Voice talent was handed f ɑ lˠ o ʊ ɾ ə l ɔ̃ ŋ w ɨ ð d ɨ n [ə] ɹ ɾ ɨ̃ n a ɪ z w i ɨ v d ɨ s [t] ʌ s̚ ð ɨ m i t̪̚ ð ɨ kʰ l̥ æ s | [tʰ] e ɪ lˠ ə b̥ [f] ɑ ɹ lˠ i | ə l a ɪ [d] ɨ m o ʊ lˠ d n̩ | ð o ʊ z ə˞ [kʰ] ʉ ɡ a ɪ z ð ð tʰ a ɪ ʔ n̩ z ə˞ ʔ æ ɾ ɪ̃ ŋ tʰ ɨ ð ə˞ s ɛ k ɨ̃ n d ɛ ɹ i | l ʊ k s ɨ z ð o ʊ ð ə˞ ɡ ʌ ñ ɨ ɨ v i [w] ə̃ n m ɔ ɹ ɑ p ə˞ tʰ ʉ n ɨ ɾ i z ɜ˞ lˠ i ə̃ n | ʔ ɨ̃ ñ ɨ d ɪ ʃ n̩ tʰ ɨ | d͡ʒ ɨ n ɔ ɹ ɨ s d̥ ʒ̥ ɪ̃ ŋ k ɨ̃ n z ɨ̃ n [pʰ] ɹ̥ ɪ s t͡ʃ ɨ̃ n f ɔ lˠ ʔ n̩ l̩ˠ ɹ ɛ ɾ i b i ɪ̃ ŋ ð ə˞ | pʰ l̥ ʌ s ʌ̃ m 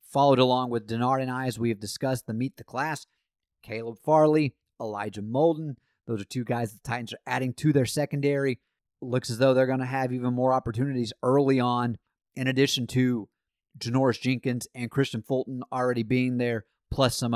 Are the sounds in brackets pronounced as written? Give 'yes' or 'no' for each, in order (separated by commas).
no, no, no, yes, no, no, no, no